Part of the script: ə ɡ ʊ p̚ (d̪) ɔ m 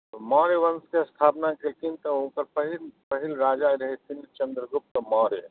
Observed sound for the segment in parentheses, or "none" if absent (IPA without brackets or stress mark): t̪